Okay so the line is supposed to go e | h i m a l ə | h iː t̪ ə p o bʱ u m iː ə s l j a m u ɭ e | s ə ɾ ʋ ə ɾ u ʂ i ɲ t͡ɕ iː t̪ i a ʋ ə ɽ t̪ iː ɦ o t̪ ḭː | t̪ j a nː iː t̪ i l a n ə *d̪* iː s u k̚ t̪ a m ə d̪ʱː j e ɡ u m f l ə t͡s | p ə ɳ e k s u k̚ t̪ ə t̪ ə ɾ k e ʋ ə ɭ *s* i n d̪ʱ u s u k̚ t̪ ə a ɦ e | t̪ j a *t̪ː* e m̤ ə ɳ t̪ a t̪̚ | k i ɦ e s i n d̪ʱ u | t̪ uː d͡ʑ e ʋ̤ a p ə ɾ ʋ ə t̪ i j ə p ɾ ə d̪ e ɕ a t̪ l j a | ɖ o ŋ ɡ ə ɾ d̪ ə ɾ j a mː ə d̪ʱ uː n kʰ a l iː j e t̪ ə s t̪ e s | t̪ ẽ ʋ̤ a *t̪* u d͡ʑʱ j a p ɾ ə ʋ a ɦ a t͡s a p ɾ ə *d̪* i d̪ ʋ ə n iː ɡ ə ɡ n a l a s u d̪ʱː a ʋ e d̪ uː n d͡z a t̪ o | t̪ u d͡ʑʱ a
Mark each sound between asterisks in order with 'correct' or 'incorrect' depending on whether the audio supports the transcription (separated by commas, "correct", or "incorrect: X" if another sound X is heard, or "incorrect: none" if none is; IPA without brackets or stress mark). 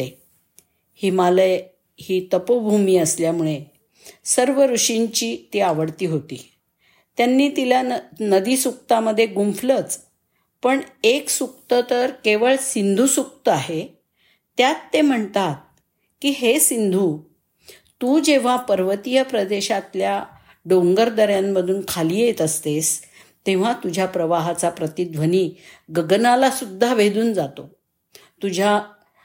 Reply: correct, correct, correct, correct, incorrect: t̪